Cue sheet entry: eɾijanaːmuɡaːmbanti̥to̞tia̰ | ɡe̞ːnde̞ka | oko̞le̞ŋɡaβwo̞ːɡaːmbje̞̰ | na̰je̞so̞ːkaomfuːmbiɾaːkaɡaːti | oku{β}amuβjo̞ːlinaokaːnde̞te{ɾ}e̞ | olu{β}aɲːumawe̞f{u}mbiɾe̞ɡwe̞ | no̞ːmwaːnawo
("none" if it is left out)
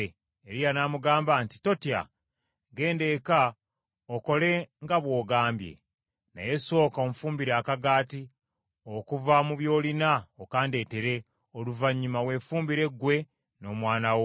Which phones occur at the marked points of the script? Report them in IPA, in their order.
v, ɾ, v, uː

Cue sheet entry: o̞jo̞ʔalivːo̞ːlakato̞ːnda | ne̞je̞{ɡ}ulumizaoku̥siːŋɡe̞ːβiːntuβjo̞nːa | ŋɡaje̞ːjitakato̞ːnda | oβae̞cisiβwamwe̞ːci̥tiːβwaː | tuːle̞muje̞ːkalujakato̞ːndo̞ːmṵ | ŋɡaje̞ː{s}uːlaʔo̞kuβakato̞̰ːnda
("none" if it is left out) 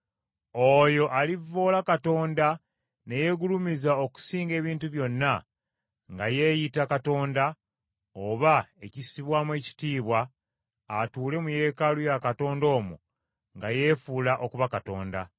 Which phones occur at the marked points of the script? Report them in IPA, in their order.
ɡ, f

